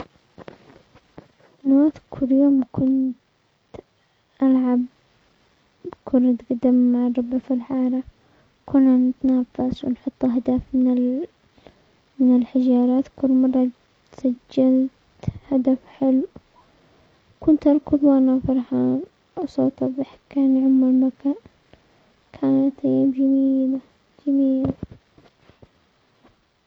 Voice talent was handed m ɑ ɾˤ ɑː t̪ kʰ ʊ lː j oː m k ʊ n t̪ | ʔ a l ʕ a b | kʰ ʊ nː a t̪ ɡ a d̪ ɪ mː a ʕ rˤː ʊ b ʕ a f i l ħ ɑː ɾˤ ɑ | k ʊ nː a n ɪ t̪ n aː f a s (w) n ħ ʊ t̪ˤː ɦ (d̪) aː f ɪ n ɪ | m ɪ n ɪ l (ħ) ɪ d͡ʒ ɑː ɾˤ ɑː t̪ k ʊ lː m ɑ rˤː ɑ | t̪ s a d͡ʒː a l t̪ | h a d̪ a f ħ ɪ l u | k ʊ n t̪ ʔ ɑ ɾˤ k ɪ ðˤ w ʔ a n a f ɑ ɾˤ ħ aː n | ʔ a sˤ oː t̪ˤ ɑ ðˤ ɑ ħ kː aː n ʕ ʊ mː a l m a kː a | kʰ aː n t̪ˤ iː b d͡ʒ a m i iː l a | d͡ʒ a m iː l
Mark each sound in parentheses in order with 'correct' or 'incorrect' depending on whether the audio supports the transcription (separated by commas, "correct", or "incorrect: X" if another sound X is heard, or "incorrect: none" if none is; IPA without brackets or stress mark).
correct, correct, correct